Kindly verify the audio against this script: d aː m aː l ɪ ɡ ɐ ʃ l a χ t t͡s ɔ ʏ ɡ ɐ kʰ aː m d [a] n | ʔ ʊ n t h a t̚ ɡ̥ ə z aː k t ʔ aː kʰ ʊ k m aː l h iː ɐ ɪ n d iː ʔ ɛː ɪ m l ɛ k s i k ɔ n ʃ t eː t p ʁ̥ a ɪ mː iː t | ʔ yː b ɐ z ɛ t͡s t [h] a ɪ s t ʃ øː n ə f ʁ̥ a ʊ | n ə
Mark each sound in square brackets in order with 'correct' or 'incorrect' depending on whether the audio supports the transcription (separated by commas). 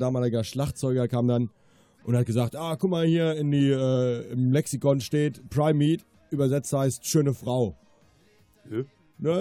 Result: correct, correct